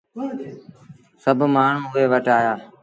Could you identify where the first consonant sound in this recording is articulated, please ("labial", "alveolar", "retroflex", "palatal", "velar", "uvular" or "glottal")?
alveolar